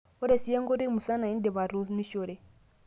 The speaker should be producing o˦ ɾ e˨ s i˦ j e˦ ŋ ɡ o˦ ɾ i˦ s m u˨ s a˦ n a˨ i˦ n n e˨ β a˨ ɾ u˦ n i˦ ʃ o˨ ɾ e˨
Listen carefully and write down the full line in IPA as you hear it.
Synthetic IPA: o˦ ɾ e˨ s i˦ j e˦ ŋ ɡ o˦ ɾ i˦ m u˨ s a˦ n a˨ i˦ n d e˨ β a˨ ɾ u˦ n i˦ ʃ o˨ ɾ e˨